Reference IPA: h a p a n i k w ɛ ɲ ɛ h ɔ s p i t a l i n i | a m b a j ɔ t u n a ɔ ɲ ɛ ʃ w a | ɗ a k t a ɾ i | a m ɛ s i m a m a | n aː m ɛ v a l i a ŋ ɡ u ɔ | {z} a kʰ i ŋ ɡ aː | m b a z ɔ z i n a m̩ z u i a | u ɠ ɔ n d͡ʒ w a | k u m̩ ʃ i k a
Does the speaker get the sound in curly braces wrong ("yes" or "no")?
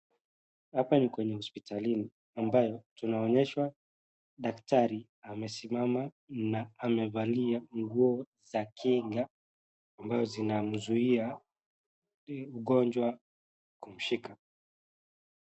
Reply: no